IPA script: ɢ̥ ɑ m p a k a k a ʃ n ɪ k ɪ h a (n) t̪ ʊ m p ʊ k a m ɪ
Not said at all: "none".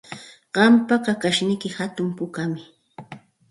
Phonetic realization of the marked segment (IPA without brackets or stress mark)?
none